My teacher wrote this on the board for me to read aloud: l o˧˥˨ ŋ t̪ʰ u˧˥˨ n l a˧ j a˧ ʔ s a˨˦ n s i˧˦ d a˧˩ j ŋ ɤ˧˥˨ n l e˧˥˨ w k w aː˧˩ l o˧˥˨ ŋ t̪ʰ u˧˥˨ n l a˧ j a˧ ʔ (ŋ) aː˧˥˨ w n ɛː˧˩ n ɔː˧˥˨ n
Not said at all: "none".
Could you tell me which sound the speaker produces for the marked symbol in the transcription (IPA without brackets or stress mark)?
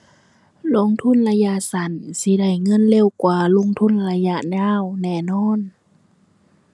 ɲ